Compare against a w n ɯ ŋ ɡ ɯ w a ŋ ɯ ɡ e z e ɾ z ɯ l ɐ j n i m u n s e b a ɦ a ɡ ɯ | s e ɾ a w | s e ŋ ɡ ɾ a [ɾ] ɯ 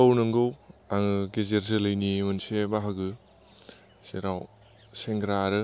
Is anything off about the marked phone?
no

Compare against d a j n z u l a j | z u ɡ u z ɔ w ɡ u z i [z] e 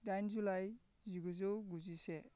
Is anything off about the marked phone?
yes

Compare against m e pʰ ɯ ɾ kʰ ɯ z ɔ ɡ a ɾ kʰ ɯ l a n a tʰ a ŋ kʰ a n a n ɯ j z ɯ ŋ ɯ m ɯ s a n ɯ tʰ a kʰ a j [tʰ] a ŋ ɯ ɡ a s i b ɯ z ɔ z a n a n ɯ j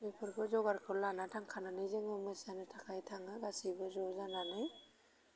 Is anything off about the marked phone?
no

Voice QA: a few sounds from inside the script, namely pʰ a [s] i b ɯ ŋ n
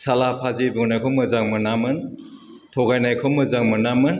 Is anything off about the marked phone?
yes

